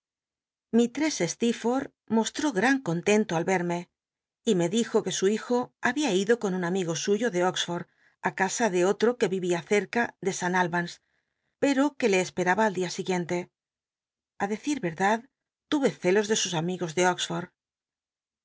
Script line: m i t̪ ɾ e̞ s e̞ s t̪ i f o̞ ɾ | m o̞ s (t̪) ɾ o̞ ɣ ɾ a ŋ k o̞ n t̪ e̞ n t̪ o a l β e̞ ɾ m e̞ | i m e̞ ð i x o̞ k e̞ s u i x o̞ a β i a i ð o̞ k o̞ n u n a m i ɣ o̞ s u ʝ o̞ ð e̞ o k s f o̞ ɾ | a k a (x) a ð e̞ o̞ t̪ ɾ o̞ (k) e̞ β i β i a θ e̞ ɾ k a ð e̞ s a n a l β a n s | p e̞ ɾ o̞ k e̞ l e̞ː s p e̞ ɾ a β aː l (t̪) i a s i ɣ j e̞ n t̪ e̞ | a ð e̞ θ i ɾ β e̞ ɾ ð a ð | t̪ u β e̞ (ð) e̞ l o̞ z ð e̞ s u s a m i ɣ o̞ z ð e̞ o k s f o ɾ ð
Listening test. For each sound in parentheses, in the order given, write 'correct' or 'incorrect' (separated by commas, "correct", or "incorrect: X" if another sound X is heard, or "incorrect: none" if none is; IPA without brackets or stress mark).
correct, incorrect: s, correct, incorrect: d̪, incorrect: θ